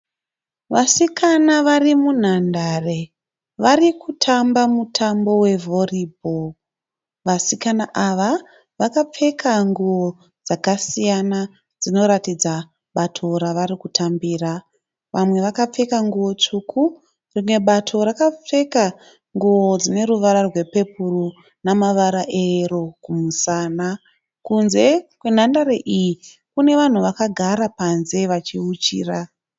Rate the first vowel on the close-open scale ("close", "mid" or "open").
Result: open